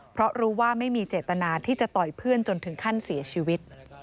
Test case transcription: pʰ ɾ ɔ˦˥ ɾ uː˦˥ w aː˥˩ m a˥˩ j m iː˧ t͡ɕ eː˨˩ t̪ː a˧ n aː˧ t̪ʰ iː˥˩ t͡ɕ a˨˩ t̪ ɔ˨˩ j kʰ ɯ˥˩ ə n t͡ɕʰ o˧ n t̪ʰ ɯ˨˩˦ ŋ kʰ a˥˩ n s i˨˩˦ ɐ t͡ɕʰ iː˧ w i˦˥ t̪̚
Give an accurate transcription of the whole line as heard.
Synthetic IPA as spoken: pʰ ɾ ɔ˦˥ ɾ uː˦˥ w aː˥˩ m a˥˩ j m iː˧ t͡ɕ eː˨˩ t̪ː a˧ n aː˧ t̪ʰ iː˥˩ t͡ɕ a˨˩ t̪ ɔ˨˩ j pʰ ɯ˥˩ ə n t͡ɕ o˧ n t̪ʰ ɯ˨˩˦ ŋ kʰ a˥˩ n s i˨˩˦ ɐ t͡ɕʰ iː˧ w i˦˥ t̪̚